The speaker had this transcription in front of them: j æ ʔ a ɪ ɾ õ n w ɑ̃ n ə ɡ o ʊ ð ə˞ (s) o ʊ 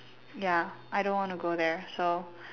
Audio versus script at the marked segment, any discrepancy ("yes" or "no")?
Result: no